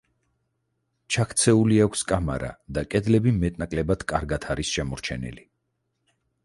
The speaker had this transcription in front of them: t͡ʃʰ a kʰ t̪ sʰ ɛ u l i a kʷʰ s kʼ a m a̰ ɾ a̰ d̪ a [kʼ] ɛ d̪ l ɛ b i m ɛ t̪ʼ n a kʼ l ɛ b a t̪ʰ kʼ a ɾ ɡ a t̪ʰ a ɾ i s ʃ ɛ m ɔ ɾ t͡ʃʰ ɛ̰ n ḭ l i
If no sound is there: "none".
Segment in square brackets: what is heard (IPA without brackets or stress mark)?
kʼ